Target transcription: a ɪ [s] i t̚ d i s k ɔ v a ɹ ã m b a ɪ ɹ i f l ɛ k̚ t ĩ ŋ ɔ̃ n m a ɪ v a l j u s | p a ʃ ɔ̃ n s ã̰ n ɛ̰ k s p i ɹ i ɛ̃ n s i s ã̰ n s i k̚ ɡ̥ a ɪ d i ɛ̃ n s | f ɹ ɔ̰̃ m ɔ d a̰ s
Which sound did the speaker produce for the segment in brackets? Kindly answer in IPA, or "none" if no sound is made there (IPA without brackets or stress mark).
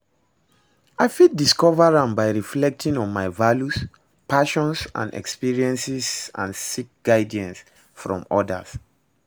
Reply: f